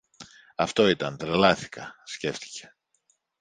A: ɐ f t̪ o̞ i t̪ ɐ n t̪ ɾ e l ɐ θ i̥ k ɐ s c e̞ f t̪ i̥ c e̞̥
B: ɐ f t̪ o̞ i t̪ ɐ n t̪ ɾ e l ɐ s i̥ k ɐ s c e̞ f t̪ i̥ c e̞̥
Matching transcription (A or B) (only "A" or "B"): A